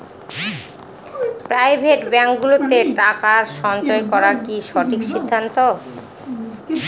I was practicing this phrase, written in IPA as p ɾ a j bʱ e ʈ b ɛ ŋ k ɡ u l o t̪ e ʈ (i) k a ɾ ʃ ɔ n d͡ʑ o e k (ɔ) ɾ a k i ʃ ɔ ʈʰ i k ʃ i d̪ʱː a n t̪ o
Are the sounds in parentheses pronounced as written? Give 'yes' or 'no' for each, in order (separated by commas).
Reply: no, yes